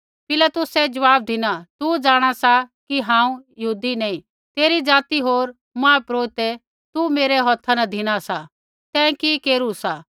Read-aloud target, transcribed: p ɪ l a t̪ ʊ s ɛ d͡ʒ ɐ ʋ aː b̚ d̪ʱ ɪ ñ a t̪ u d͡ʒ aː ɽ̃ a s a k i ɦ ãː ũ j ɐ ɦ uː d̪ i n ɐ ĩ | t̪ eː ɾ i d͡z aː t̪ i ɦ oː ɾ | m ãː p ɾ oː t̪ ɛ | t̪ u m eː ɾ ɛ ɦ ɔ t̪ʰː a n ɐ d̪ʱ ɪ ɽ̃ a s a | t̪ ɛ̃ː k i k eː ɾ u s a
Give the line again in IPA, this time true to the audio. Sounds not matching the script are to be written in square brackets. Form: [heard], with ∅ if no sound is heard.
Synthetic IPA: p ɪ l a t̪ ʊ s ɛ d͡ʒ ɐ ʋ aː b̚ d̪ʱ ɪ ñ a t̪ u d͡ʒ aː ɽ̃ a s a k i ɦ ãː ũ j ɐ ɦ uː d̪ i n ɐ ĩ | t̪ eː ɾ i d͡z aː t̪ i ɦ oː ɾ | m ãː p ɾ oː t̪ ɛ | t̪ u m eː ɾ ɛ ɦ ɔ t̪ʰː a n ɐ d̪ʱ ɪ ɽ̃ a s a | t̪ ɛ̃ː k i k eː ɾ u s a